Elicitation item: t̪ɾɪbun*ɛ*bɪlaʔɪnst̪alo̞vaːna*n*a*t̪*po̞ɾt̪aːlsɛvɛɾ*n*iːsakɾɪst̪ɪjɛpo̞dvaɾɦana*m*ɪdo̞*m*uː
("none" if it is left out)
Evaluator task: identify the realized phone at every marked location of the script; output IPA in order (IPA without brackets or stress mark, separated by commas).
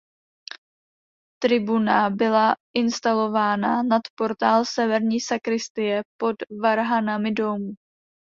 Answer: a, n, t̪, ɲ, m, m